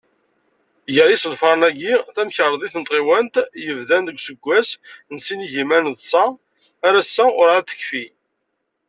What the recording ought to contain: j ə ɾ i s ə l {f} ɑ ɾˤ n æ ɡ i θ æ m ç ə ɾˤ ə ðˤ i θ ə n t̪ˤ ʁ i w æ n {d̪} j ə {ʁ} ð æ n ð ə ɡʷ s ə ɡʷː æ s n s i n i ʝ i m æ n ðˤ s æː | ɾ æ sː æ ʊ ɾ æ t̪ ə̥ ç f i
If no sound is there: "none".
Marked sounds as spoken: f, t̪, v

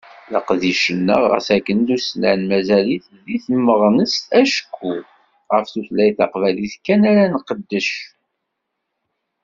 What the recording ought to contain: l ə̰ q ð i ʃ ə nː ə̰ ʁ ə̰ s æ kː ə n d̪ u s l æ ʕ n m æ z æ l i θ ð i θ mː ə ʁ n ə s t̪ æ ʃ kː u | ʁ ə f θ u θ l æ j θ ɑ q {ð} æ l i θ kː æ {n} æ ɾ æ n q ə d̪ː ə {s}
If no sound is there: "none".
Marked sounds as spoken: v, n, ʃ

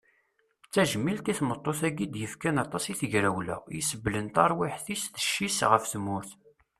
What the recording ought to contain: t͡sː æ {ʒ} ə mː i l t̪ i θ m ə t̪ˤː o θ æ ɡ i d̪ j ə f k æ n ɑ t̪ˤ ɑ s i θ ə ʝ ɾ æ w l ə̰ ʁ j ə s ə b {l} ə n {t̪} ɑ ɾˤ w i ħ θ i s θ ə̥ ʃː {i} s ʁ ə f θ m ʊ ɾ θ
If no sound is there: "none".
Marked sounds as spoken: ʒ, l, t̪, i

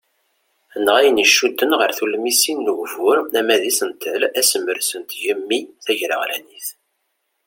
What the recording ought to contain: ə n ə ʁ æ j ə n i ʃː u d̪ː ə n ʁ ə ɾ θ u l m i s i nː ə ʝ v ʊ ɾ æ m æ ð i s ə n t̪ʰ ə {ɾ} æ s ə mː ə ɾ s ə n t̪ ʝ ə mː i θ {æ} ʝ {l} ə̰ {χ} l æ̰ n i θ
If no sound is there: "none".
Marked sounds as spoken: l, æ, ɾ, ʁ

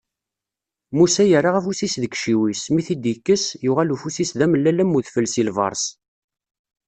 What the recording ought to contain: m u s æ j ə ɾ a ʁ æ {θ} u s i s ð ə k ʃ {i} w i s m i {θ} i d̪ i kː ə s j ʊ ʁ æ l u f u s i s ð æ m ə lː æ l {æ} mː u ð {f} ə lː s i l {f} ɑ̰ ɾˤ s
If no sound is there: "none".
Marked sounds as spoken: f, i, θ, æ, f, v

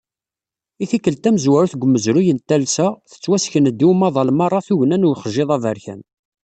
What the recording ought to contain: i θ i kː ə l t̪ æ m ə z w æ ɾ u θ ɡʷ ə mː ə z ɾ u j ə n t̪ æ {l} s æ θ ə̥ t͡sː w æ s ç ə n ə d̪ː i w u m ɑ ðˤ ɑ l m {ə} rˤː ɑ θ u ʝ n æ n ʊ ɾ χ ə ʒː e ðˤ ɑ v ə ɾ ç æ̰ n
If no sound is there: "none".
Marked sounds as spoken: l, ɑ

